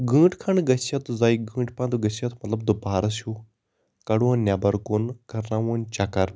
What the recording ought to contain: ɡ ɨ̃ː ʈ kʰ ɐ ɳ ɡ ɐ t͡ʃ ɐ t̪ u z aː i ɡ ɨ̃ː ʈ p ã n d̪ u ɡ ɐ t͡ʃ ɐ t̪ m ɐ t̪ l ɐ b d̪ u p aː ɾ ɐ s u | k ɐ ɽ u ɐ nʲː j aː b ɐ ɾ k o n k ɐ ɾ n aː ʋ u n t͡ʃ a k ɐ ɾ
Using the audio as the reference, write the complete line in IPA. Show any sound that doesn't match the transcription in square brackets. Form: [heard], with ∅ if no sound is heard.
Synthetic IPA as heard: ɡ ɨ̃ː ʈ kʰ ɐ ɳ ɡ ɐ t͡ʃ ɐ t̪ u z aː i ɡ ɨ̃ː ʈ p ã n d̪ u ɡ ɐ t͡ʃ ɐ t̪ m ɐ t̪ l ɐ b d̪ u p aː ɾ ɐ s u | k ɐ ɽ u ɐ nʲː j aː b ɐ ɾ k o n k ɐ ɾ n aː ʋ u n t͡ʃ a k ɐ ɾ